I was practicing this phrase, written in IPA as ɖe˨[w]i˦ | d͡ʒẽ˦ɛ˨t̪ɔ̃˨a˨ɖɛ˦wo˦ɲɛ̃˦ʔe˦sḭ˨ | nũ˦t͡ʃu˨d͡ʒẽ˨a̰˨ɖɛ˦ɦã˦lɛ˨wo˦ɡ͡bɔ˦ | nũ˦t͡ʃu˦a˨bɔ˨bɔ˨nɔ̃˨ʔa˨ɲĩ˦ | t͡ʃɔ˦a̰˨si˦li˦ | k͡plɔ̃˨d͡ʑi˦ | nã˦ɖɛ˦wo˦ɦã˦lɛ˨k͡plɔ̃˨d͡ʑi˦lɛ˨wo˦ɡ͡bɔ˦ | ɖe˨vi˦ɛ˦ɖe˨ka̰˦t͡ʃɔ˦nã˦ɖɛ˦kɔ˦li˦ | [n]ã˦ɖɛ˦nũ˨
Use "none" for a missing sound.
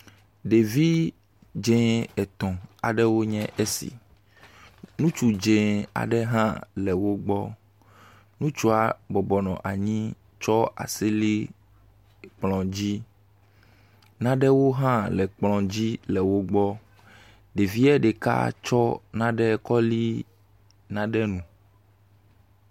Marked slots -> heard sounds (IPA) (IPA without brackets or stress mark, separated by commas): v, n